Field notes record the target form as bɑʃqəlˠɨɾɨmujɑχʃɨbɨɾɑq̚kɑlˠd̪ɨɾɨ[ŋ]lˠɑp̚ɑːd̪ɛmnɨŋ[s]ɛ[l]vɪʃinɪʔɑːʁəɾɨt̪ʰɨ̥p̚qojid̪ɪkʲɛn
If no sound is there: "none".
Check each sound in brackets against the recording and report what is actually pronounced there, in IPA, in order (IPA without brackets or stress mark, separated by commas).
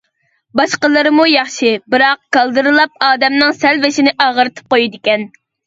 none, s, l